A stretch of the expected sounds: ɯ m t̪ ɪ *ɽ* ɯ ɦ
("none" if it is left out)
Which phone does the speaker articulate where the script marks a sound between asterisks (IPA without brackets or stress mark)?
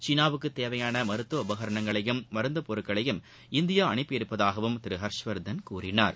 ɾ